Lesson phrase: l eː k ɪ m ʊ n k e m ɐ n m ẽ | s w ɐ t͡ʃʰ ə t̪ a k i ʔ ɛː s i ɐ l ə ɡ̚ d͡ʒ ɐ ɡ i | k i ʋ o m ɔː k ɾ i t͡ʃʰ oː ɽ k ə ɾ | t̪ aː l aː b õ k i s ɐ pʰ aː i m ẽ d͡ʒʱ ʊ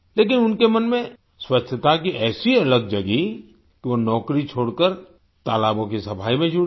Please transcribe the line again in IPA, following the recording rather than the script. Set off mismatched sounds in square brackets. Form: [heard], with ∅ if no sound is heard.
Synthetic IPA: l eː k ɪ [n] ʊ n k e m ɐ n m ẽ | s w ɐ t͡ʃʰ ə t̪ a k i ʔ ɛː s i ɐ l ə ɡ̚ d͡ʒ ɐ ɡ i | k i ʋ o [n] ɔː k ɾ i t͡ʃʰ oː ɽ k ə ɾ | t̪ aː l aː b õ k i s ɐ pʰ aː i m ẽ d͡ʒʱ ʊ

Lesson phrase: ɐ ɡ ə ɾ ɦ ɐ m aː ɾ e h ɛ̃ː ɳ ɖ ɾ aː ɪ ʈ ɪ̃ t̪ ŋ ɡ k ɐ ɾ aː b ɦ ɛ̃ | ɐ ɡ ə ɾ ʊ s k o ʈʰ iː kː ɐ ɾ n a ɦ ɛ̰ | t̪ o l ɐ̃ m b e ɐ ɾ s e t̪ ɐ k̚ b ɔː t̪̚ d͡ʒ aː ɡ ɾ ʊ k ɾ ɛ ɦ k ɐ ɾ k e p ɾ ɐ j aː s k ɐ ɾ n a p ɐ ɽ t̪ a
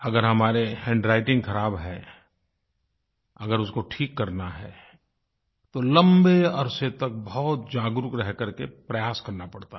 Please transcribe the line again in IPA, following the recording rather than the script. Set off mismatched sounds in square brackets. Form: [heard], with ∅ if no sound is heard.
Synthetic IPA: ɐ ɡ ə ɾ ɦ ɐ m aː ɾ e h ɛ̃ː ɳ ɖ ɾ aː ɪ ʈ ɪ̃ [∅] ŋ ɡ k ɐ ɾ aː b ɦ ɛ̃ | ɐ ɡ ə ɾ ʊ s k o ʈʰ iː kː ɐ ɾ n a ɦ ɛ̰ | t̪ o l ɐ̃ m b e ɐ ɾ s e t̪ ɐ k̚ b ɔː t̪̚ d͡ʒ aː ɡ ɾ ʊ k ɾ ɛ ɦ k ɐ ɾ k e p ɾ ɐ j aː s k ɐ ɾ n a p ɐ ɽ t̪ a

